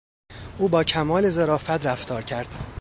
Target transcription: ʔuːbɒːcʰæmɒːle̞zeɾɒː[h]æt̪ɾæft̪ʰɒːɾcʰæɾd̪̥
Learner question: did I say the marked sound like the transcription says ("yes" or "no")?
no